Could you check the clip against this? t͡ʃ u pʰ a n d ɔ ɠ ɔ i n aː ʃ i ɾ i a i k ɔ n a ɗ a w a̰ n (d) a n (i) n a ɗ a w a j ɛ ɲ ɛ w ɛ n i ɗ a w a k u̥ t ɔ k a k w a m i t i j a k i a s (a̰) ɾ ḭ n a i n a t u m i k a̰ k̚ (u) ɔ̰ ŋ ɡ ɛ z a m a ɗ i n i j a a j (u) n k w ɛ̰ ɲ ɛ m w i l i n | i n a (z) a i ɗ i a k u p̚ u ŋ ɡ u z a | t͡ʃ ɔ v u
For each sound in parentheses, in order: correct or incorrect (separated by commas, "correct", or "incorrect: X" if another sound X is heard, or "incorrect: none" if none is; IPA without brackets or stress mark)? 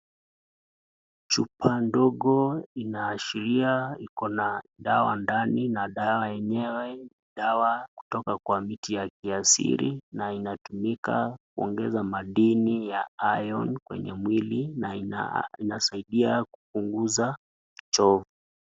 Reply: correct, correct, incorrect: ḭ, correct, incorrect: ɔ, incorrect: s